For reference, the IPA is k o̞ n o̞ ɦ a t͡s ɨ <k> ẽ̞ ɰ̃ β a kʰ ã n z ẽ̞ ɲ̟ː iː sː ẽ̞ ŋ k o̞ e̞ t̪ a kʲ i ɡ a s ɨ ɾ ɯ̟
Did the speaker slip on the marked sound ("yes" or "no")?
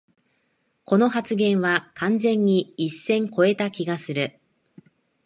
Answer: yes